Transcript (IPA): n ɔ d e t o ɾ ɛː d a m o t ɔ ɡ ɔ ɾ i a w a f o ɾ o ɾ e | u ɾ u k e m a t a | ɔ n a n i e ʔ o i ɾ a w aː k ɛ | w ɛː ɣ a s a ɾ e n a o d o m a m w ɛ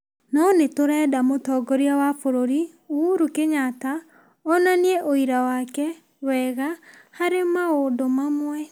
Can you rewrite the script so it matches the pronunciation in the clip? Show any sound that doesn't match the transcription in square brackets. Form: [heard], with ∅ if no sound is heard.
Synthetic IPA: n ɔ [n] e t o ɾ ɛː d a m o t ɔ ɡ ɔ ɾ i a w a f o ɾ o ɾ [i] | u ɾ u k e [ɲ] a t a | ɔ n a n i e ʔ o i ɾ a w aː k ɛ | w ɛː ɣ a [h] a ɾ e [m] a o d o m a m w ɛ